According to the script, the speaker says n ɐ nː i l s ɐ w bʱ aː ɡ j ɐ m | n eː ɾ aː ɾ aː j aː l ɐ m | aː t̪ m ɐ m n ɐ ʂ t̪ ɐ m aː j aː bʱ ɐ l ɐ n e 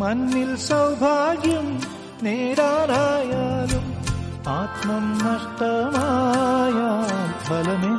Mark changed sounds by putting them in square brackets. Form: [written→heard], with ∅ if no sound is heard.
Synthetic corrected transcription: [n→m] ɐ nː i l s ɐ w bʱ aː ɡ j ɐ m | n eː ɾ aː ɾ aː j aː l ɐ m | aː t̪ m ɐ m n ɐ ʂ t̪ ɐ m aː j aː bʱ ɐ l ɐ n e